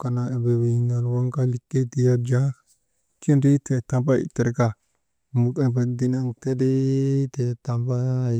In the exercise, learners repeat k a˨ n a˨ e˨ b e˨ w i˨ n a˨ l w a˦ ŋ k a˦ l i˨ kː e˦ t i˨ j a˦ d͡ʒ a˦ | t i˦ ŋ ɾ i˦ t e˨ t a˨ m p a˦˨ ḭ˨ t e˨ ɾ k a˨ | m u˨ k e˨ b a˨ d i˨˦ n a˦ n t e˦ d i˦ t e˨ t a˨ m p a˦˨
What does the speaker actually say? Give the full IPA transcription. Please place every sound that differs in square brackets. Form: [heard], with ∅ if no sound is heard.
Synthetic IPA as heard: k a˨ n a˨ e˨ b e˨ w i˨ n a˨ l w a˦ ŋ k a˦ l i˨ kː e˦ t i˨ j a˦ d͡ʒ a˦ | [k] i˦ [n] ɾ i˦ t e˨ t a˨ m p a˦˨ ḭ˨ t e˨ ɾ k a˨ | m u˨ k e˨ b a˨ d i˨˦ n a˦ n t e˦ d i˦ t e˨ t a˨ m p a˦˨